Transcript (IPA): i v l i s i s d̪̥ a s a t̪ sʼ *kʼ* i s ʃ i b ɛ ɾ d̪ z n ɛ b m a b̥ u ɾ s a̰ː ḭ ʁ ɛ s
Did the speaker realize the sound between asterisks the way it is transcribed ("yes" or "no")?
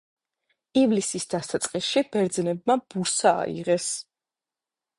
no